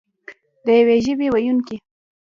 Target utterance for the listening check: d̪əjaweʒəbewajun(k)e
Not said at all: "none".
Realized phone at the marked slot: k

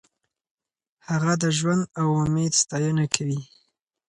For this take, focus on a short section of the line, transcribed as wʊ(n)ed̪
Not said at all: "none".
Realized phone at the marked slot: m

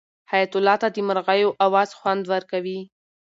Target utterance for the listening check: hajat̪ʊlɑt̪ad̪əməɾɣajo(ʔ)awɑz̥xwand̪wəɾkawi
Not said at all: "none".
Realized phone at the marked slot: ʔ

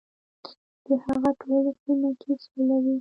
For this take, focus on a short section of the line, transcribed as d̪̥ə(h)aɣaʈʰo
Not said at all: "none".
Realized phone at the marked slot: h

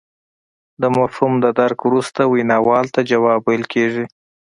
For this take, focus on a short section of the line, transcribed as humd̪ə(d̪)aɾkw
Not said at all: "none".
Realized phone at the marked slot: d̪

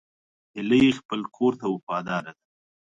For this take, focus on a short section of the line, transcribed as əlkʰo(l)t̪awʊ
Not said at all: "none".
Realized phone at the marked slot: ɾ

